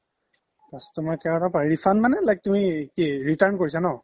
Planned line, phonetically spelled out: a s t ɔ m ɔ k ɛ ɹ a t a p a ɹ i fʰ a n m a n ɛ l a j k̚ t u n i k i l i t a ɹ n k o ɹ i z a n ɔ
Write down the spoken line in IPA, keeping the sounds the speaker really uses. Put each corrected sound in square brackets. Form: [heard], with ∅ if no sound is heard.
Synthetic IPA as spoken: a s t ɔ m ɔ k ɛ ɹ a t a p a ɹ i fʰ a n m a n ɛ l a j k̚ t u [m] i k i [ɹ] i t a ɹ n k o ɹ i [s] a n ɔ